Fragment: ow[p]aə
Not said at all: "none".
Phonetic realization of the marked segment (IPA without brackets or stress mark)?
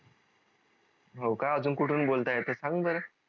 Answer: k